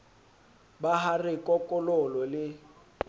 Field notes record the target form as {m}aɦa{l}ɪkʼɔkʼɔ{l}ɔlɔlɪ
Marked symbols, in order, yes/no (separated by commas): no, no, yes